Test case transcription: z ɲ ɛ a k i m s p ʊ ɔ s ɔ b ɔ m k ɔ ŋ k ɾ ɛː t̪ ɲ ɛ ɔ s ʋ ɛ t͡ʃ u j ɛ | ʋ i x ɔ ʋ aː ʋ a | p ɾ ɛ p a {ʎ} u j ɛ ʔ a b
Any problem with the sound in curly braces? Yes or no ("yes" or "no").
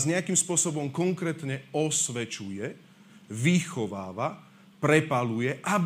yes